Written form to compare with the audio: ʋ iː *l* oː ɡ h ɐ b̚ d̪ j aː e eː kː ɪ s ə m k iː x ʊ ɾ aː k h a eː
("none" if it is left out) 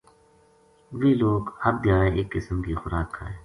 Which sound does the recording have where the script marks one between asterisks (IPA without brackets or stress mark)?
l